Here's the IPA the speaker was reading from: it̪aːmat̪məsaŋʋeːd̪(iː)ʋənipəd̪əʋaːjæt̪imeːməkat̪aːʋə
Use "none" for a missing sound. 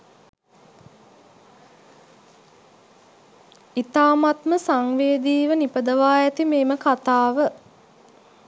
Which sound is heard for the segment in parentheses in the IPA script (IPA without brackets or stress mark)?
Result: iː